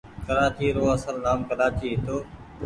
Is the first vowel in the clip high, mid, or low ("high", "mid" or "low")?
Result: mid